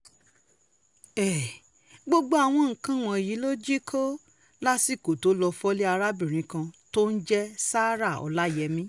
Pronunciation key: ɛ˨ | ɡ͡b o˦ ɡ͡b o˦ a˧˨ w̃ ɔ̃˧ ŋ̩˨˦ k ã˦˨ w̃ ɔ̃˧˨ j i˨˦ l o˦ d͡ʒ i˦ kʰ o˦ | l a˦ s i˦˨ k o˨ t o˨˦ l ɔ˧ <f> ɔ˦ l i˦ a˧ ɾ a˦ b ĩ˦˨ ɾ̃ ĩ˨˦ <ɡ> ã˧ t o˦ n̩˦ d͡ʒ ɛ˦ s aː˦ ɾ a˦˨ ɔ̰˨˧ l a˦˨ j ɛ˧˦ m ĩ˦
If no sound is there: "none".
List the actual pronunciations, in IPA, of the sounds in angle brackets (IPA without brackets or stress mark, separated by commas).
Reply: f, k